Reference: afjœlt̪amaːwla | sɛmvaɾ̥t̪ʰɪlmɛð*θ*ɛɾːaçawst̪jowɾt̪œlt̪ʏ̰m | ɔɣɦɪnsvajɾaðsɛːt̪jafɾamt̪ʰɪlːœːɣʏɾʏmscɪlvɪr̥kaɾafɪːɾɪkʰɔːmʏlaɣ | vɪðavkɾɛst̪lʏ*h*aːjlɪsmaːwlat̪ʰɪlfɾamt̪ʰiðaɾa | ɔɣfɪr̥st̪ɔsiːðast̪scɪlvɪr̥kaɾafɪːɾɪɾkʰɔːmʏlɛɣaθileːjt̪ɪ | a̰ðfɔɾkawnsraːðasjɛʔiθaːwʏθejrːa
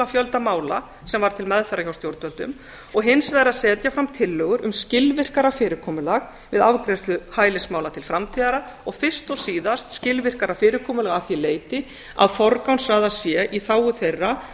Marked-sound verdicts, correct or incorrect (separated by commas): incorrect, correct